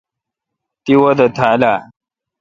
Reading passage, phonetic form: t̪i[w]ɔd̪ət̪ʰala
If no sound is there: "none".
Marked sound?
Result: w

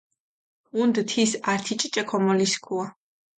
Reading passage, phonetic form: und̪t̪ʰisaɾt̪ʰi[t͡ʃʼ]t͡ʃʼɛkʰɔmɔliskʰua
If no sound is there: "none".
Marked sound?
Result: t͡ʃʼ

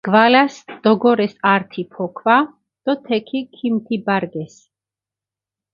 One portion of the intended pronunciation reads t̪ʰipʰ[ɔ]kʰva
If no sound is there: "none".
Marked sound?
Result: ɔ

